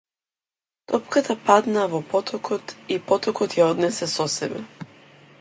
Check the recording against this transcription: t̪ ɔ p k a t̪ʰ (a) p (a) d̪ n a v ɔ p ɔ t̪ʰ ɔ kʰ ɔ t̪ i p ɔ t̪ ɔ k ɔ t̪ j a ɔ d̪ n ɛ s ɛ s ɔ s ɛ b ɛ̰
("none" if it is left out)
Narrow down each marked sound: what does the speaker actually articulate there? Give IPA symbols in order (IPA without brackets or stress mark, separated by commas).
a, a